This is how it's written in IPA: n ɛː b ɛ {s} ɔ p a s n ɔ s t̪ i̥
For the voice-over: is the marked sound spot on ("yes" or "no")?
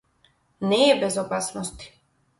no